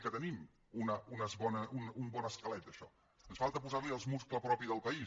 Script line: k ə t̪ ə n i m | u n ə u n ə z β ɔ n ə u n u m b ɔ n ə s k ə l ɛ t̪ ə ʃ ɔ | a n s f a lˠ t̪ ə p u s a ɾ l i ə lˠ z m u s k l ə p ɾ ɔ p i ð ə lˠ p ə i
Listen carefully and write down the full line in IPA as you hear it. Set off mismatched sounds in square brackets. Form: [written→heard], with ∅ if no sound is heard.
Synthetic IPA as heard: k ə t̪ ə n i m | u n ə u n ə z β ɔ n ə u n u m b ɔ n ə s k ə l ɛ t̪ ə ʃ ɔ | [a→ə] n s f a lˠ t̪ ə p u [s→z] a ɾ l i ə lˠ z m u s k l ə p ɾ ɔ p i ð ə lˠ p ə i